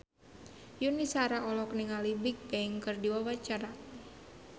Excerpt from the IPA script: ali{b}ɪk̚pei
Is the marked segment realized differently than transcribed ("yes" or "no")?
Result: no